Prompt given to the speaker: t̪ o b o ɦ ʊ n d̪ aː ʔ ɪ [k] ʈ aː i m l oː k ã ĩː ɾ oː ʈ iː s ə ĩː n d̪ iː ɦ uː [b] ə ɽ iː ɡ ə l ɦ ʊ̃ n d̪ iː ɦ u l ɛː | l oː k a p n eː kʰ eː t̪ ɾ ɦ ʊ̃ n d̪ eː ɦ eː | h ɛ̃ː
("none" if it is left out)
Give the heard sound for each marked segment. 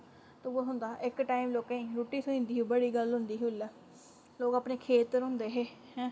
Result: k, b

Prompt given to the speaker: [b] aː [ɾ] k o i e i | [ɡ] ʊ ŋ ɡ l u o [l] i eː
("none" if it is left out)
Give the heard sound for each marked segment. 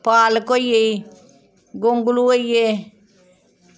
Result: p, l, ɡ, none

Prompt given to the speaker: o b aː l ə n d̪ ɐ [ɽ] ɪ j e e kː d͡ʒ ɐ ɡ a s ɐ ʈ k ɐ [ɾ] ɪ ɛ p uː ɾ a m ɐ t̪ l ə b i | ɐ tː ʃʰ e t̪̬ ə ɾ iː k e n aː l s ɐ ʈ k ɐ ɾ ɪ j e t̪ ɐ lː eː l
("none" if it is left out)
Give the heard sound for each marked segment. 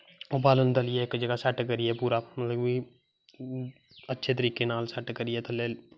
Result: l, ɾ

